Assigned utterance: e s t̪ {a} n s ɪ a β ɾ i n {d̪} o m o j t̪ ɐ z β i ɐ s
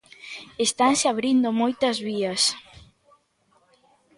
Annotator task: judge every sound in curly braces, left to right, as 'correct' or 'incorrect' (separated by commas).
correct, correct